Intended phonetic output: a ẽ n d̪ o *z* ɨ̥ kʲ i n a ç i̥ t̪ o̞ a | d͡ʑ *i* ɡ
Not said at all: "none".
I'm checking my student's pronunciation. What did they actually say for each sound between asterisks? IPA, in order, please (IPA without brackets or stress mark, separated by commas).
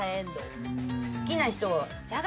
s, a